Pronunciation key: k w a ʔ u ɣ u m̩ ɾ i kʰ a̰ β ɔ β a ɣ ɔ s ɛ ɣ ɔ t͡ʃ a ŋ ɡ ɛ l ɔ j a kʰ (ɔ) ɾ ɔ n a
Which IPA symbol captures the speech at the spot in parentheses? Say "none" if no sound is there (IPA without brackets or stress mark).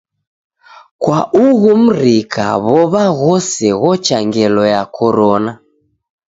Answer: ɔ